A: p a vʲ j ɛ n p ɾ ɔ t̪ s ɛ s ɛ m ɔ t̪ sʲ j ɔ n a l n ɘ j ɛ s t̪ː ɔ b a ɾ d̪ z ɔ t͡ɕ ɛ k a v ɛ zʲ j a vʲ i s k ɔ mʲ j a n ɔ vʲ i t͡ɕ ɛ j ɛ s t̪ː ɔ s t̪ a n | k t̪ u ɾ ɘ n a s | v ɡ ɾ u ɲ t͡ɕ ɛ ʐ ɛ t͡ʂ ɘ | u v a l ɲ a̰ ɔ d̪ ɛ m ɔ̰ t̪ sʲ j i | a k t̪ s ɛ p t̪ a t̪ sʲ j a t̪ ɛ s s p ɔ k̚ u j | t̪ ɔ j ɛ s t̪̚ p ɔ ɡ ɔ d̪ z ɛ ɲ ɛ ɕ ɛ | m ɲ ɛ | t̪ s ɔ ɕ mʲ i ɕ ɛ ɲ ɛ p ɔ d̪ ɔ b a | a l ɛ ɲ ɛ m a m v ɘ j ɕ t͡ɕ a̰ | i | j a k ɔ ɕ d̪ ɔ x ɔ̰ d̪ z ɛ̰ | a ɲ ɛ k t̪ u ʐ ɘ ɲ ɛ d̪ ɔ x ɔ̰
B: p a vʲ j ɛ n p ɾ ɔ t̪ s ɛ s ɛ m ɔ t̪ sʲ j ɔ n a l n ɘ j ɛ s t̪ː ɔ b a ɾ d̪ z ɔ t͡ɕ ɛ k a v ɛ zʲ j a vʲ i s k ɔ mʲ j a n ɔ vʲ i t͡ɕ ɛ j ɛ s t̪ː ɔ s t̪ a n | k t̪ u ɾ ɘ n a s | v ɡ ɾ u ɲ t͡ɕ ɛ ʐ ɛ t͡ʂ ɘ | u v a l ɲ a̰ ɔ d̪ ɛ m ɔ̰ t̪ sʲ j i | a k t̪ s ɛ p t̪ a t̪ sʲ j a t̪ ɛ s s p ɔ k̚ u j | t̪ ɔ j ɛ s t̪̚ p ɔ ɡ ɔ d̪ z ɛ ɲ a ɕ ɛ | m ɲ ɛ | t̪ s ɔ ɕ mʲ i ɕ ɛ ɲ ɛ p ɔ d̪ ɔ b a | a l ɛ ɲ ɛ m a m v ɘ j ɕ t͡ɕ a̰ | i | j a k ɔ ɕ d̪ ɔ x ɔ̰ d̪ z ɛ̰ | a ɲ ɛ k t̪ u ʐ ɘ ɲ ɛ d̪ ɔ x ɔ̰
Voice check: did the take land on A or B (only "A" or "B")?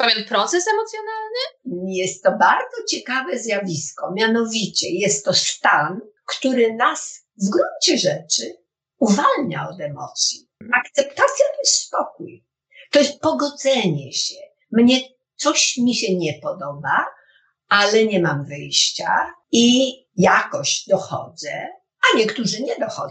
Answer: A